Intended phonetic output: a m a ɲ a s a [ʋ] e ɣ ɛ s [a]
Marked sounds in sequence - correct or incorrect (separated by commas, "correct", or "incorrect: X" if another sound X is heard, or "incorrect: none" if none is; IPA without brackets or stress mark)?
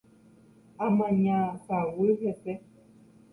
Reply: incorrect: w, incorrect: ɛ